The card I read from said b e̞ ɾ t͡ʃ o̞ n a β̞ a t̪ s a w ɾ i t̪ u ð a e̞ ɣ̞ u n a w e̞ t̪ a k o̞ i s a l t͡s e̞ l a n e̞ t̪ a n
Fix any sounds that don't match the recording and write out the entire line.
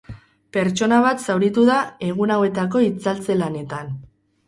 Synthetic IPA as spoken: p e̞ ɾ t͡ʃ o̞ n a β̞ a t̪ s a w ɾ i t̪ u ð a e̞ ɣ̞ u n a w e̞ t̪ a k o̞ i t͡s a l t͡s e̞ l a n e̞ t̪ a n